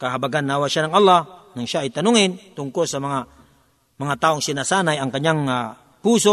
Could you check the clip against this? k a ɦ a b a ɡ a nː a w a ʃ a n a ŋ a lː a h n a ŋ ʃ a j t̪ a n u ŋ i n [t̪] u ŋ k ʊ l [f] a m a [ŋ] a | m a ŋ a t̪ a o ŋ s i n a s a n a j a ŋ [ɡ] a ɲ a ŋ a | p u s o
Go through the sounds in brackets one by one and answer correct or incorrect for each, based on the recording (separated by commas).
correct, incorrect, correct, incorrect